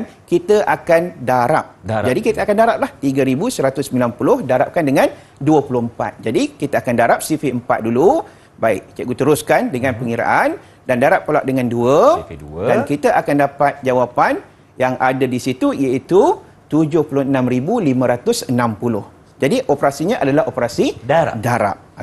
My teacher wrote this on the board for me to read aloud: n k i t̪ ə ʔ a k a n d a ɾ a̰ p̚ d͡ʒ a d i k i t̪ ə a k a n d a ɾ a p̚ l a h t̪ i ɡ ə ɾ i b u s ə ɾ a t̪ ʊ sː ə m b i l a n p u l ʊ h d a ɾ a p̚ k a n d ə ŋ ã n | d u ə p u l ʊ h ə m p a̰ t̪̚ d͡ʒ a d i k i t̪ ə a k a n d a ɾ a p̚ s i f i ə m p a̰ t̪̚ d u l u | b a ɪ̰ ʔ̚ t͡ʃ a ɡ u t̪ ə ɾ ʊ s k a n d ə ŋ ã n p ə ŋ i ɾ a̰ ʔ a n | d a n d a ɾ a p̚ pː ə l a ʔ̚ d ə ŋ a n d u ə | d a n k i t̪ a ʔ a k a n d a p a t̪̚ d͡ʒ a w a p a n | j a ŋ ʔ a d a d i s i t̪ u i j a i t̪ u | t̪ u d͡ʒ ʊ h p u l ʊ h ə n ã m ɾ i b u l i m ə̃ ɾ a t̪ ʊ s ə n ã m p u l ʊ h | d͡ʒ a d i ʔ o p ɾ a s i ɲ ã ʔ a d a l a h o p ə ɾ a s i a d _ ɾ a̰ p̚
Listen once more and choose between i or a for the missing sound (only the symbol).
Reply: a